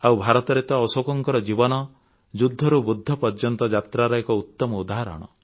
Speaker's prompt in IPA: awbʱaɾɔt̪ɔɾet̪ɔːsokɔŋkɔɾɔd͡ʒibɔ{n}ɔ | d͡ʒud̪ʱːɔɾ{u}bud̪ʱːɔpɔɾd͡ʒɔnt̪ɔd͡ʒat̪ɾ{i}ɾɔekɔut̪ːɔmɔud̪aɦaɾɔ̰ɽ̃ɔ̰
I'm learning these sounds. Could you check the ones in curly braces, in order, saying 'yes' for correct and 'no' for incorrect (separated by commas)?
yes, yes, no